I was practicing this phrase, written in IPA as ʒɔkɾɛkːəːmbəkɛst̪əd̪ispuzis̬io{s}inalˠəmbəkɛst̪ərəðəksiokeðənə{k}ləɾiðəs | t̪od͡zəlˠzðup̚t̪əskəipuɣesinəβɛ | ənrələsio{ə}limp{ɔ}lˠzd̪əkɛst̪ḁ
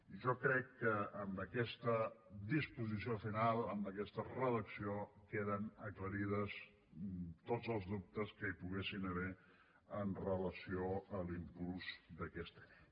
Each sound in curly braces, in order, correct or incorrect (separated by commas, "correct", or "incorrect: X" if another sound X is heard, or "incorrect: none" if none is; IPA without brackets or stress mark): incorrect: f, correct, correct, incorrect: u